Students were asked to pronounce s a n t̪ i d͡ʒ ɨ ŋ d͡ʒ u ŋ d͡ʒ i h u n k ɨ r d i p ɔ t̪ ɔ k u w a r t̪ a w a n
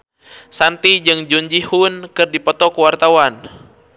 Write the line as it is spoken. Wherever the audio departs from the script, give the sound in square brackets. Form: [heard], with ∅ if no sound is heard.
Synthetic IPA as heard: s a n t̪ i d͡ʒ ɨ ŋ d͡ʒ u [ɲ] d͡ʒ i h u n k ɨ r d i p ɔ t̪ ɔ k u w a r t̪ a w a n